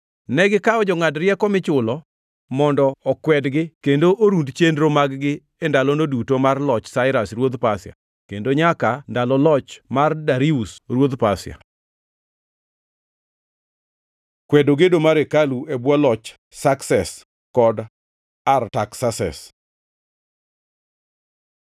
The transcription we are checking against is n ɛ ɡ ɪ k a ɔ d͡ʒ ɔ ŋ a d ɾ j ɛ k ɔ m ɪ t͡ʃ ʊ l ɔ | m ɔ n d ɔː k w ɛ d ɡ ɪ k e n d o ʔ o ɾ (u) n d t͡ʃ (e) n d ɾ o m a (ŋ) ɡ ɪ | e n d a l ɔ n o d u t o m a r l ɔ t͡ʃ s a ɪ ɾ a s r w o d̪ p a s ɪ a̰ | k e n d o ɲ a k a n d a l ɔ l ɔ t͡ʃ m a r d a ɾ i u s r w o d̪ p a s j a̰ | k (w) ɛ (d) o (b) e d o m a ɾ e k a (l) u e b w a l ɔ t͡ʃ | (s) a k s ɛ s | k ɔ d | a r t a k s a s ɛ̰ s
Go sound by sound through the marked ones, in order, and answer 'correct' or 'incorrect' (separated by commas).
correct, correct, incorrect, correct, correct, incorrect, correct, correct